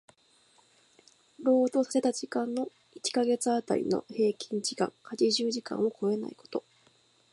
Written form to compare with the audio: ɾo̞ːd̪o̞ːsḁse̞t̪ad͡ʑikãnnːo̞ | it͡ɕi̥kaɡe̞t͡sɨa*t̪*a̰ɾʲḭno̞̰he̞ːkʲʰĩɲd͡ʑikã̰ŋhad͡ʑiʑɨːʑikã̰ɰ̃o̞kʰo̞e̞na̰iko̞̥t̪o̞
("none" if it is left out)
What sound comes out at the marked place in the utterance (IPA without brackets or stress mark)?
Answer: t̪